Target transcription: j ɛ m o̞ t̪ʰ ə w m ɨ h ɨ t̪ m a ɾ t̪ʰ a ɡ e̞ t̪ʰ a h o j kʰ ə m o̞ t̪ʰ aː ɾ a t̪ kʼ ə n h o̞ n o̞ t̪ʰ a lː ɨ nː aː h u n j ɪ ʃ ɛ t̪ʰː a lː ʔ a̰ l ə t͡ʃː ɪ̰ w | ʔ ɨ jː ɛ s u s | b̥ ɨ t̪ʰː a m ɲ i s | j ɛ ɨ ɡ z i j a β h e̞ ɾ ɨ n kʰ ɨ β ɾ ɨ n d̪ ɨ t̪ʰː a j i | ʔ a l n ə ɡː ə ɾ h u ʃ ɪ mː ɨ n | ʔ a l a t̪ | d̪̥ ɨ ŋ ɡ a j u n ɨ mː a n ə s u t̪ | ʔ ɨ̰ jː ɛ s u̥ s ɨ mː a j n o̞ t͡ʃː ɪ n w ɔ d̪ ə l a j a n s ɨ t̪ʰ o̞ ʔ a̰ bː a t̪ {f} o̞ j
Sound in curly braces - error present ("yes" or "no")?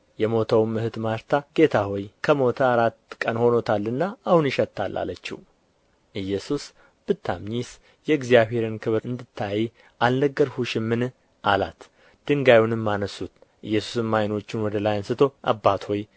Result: yes